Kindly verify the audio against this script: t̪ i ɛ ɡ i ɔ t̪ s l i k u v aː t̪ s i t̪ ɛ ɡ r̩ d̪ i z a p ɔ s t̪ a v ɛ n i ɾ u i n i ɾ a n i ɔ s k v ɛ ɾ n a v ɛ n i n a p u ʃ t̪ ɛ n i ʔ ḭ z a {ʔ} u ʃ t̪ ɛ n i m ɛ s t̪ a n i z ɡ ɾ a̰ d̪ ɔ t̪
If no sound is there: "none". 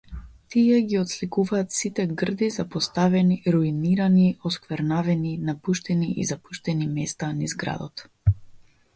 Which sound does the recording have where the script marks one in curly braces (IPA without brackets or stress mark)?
p